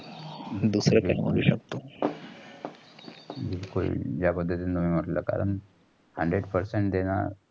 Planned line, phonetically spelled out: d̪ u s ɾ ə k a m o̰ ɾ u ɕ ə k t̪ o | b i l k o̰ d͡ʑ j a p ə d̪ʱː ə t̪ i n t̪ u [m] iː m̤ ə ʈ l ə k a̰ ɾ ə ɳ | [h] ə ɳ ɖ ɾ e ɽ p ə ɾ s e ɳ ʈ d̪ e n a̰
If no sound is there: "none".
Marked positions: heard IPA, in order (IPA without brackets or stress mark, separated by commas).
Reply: m, h